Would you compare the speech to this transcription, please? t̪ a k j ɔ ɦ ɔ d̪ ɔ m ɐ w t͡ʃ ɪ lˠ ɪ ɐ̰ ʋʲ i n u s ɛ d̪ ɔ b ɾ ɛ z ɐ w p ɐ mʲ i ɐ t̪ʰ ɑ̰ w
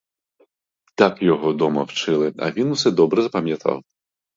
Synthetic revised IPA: t̪ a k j ɔ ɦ ɔ d̪ ɔ m ɐ w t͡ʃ ɪ lˠ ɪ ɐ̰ ʋʲ i n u s ɛ d̪ ɔ b ɾ ɛ z ɐ p ɐ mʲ j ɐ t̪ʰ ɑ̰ w